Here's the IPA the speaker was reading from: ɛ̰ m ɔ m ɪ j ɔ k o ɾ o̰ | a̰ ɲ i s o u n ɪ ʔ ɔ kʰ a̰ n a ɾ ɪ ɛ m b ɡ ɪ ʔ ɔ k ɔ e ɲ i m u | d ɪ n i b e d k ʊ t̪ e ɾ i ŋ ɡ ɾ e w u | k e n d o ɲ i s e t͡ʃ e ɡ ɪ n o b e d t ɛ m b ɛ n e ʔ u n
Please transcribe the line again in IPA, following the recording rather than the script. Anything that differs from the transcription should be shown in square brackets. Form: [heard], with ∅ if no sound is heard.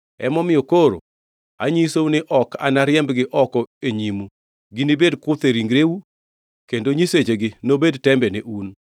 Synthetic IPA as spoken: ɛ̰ m ɔ m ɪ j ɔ k o ɾ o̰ | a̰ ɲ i s o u n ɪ ʔ ɔ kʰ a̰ n a ɾ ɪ ɛ m b ɡ ɪ ʔ ɔ k ɔ e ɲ i m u | [ɡ] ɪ n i b e d k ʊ t̪ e ɾ i ŋ ɡ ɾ e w u | k e n d o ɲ i s e t͡ʃ e ɡ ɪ n o b e d t ɛ m b ɛ n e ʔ u n